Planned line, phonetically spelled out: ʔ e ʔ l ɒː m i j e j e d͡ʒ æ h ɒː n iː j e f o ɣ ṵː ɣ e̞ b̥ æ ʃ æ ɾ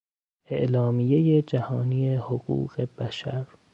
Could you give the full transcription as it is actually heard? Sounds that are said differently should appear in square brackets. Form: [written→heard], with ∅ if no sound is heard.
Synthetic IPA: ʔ e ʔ l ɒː m i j e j e d͡ʒ æ h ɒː n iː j e [f→h] o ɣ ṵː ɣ e̞ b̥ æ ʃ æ ɾ